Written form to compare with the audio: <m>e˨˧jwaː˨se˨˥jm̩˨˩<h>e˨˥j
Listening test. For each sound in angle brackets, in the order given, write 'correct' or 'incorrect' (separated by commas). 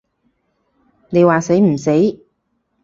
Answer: incorrect, incorrect